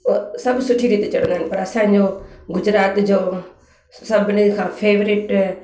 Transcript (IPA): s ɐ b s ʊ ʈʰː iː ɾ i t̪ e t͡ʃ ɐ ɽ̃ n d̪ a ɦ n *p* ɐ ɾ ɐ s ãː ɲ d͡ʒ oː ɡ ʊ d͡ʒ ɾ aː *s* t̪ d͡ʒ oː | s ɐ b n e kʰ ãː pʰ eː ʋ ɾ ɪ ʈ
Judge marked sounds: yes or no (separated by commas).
yes, no